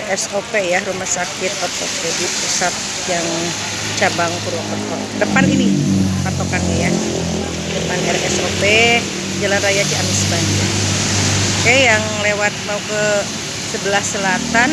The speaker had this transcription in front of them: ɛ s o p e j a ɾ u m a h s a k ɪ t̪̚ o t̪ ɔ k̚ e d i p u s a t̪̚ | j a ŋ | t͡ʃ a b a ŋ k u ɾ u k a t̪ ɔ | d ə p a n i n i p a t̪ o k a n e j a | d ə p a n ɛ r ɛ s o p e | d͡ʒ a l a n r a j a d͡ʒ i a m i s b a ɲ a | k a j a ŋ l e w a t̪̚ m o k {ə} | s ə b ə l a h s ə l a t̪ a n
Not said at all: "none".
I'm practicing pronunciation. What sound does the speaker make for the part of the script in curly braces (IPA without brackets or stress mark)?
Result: ə